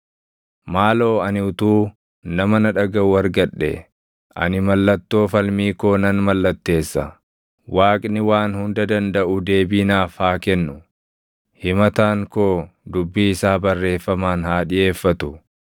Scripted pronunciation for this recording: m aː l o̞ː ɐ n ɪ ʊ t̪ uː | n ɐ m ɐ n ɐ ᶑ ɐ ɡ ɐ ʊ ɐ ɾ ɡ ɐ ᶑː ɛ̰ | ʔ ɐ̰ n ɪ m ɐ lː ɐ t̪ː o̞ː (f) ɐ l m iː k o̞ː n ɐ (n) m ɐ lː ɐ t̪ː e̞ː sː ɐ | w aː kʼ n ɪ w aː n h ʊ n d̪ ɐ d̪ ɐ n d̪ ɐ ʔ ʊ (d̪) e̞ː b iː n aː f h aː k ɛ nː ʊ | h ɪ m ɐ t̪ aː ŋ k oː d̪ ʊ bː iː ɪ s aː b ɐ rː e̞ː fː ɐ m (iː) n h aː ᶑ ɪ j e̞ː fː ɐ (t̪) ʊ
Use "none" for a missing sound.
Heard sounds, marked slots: f, n, d̪, aː, t̪

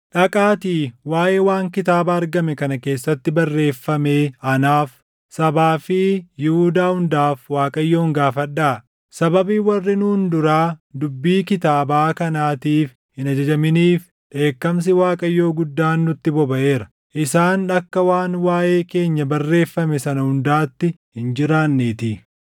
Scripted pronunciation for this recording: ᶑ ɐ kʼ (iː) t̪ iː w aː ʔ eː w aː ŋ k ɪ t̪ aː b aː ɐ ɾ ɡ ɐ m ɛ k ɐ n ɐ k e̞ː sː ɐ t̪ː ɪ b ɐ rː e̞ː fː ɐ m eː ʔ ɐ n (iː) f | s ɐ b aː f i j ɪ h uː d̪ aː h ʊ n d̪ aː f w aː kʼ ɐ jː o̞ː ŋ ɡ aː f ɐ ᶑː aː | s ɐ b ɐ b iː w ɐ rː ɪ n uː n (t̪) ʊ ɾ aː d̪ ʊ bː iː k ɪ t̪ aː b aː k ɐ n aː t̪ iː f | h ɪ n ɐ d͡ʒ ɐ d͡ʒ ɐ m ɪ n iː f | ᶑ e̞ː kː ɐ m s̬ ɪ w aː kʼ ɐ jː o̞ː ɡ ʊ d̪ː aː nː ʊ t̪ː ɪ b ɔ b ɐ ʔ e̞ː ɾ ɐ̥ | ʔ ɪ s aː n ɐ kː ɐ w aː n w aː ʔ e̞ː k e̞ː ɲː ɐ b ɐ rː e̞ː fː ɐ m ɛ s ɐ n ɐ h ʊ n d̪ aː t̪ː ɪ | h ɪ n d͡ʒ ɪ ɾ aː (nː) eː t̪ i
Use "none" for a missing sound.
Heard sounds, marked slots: aː, aː, d̪, nː

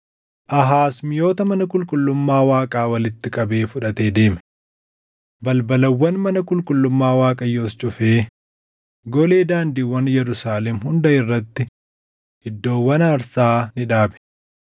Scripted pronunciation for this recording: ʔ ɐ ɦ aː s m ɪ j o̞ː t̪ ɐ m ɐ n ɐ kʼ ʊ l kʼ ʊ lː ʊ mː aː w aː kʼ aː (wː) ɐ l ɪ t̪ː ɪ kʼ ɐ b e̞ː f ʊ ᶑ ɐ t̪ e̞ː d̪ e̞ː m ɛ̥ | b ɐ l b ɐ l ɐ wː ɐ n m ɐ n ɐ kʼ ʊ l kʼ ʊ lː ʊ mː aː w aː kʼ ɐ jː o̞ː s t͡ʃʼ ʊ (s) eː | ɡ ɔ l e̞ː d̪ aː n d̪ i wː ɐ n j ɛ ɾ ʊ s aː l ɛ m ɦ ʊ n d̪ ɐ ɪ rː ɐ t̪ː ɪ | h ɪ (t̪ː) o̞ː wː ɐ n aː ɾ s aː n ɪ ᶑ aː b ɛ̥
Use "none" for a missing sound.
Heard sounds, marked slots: w, f, d̪ː

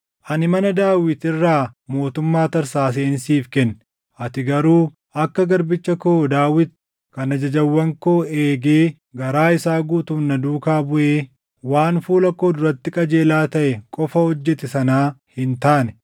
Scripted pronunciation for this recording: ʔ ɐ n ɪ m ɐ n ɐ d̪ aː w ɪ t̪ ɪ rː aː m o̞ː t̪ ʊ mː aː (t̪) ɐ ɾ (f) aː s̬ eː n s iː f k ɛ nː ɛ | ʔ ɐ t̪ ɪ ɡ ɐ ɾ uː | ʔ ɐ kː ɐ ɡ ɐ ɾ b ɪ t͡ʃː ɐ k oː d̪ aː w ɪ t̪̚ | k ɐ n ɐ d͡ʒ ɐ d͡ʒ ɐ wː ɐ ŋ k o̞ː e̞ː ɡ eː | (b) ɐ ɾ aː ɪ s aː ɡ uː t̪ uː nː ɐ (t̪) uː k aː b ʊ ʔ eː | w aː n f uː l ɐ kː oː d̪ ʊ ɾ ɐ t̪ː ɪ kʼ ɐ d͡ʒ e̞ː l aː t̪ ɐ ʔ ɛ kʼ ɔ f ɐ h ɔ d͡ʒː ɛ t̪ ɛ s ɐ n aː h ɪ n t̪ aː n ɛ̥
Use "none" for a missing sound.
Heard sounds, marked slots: t̪, s, ɡ, d̪

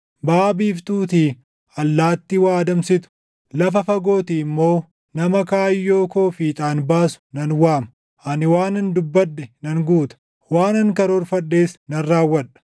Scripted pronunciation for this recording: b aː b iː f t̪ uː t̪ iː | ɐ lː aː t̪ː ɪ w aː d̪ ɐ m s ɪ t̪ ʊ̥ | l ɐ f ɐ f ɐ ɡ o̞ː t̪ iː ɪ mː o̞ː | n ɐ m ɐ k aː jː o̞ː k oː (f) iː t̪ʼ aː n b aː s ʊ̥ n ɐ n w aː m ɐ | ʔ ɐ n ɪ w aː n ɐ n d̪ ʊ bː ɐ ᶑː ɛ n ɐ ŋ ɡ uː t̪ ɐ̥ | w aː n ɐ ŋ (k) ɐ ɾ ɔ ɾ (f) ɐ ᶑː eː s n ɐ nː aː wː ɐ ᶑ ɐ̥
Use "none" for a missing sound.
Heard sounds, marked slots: f, k, f

